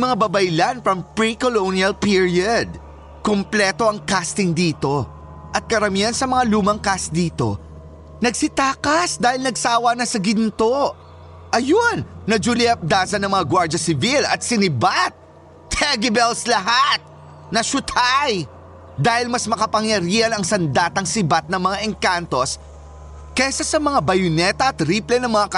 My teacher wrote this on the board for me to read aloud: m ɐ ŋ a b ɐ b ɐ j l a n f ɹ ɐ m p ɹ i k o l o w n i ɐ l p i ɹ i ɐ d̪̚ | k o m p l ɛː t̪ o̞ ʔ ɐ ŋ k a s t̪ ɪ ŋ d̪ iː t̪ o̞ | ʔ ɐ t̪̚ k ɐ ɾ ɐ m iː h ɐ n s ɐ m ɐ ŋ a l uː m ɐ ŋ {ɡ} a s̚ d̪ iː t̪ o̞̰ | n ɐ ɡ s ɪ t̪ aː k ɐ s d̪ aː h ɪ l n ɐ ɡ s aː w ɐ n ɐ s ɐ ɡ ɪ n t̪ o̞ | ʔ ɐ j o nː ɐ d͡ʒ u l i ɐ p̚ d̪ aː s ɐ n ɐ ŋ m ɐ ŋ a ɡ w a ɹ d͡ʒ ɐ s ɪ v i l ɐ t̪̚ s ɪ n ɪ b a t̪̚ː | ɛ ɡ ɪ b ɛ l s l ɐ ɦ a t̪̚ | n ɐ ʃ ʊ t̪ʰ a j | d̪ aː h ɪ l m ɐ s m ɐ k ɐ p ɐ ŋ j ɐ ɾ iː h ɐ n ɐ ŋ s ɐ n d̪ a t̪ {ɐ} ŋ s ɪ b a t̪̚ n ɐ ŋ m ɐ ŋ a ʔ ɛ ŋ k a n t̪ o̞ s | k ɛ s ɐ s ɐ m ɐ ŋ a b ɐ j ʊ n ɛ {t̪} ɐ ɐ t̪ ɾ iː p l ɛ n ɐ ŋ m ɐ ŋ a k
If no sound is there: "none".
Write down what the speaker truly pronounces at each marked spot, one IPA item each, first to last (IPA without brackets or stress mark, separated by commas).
k, ɐ, t̪